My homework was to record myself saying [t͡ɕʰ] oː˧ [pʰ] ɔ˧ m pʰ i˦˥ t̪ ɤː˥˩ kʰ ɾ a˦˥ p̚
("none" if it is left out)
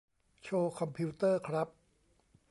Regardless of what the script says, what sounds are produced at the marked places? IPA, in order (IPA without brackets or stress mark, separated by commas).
t͡ɕʰ, kʰ